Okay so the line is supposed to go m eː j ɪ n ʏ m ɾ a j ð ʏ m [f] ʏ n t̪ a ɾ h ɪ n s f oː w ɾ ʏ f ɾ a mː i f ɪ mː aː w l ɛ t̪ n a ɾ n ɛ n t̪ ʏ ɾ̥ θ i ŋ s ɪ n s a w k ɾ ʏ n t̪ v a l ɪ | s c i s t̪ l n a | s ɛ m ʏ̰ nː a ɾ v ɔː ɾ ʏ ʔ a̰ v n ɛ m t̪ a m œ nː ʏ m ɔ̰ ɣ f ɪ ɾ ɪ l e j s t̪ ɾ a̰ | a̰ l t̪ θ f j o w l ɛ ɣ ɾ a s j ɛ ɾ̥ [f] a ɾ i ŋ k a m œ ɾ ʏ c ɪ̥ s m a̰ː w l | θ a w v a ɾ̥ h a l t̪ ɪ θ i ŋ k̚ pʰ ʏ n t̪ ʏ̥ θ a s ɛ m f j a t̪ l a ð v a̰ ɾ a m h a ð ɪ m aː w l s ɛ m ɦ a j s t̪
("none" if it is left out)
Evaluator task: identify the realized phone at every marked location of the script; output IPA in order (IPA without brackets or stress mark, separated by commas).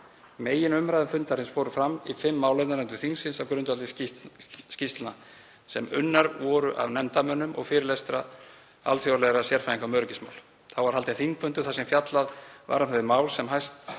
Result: f, f